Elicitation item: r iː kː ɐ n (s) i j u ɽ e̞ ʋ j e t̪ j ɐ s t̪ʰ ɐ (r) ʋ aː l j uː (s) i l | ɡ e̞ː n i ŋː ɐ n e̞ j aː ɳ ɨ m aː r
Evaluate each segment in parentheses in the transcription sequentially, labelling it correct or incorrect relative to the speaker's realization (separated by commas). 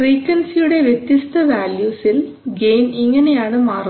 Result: correct, incorrect, correct